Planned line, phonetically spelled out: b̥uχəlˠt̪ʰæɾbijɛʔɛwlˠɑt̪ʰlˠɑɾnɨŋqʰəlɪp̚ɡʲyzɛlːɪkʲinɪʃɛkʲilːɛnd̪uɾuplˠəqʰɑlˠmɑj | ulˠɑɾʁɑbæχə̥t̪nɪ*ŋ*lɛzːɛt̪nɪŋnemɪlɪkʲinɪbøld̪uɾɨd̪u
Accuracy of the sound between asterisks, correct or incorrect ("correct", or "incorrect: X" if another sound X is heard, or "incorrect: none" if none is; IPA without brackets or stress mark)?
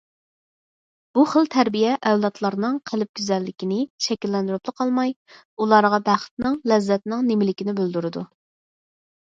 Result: correct